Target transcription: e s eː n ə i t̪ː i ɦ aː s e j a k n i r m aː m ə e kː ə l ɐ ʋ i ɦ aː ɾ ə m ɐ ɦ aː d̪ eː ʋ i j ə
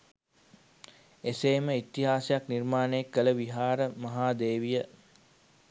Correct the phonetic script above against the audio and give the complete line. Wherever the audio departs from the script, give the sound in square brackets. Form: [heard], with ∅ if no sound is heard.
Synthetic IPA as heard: e s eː [m] ə i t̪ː i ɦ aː s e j a k n i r m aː [n] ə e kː ə l [ə] ʋ i ɦ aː ɾ ə m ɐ ɦ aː d̪ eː ʋ i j ə